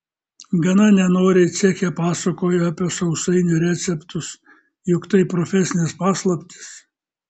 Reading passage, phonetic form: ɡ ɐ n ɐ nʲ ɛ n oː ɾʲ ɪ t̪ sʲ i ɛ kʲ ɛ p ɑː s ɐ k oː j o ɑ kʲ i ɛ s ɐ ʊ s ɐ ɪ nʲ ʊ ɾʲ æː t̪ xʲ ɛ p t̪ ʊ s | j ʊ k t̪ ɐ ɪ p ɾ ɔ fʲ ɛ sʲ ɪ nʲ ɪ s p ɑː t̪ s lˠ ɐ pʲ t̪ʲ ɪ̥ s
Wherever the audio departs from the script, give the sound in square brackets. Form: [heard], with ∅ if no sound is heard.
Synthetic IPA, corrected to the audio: ɡ ɐ n ɐ nʲ ɛ n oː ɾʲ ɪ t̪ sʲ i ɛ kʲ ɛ p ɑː s ɐ k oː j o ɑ [pʲ] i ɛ s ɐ ʊ s ɐ ɪ nʲ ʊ ɾʲ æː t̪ [sʲ] ɛ p t̪ ʊ s | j ʊ k t̪ ɐ ɪ p ɾ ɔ fʲ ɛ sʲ ɪ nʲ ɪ s p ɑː [∅] s lˠ ɐ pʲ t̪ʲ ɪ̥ s